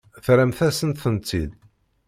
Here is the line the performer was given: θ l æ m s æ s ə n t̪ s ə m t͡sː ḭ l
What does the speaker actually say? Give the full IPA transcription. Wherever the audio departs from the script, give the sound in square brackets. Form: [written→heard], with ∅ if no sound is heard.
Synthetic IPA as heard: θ [l→ɾ] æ m [s→θ] æ s ə n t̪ [s→θ] ə [m→n] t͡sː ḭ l